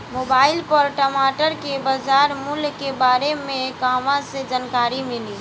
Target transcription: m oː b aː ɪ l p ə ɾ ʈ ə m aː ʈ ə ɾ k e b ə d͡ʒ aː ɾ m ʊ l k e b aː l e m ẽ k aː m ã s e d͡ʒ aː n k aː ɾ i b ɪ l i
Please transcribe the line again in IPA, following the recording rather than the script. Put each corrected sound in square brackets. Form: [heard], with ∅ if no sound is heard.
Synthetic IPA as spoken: m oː b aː ɪ l p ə ɾ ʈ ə m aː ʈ ə ɾ k e b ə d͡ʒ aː ɾ m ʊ l k e b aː [ɾ] e m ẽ k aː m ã s e d͡ʒ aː n k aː ɾ i [m] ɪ l i